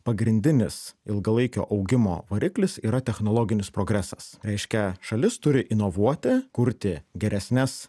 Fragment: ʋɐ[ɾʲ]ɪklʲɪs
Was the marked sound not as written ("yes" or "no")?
no